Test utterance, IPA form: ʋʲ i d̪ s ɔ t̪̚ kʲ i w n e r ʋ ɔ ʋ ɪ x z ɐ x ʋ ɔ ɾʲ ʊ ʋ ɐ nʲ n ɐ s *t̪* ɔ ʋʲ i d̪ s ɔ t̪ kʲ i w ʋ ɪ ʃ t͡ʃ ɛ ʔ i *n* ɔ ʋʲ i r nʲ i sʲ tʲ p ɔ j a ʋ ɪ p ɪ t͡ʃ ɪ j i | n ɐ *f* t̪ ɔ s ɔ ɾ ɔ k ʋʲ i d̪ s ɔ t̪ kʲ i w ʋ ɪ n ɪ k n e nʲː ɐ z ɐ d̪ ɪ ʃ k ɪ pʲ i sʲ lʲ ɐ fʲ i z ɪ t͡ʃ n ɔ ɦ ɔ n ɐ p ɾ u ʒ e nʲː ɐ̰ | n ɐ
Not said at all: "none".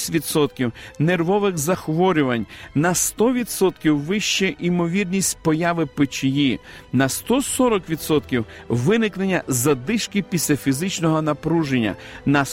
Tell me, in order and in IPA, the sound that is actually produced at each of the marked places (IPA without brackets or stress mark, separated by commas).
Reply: t̪, m, s